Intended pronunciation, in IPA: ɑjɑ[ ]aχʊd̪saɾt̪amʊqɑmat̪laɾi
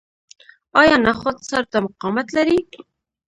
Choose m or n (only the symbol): n